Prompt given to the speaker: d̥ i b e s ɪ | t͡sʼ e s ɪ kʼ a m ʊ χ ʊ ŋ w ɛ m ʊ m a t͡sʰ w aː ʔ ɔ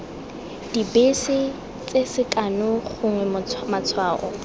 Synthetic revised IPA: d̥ i b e s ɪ | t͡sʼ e s ɪ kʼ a n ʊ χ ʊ ŋ w ɛ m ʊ m a t͡sʰ w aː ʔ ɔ